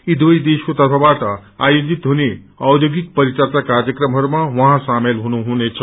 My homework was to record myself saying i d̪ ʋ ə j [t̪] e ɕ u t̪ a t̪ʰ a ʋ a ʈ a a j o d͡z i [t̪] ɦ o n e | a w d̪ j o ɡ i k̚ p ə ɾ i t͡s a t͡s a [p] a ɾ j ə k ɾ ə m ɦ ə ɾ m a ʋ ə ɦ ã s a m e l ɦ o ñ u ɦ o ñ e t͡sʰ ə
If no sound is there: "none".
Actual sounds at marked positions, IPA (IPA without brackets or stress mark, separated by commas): d̪, t̪, k